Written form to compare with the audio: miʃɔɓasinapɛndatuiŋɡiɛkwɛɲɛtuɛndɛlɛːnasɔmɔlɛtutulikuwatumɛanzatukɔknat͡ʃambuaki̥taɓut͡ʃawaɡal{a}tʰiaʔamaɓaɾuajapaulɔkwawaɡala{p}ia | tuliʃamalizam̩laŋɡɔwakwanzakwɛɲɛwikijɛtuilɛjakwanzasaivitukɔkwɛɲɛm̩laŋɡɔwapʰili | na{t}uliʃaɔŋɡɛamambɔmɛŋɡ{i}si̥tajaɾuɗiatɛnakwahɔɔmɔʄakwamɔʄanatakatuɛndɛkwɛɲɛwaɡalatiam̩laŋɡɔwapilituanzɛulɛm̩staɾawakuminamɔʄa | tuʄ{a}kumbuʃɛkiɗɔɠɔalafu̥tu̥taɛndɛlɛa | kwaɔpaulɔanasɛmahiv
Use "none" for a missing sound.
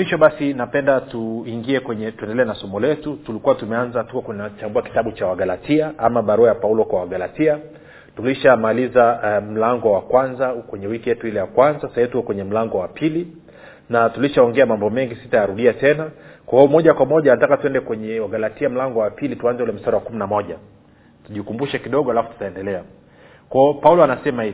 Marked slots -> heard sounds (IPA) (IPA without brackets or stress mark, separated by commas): a, t, t, i, i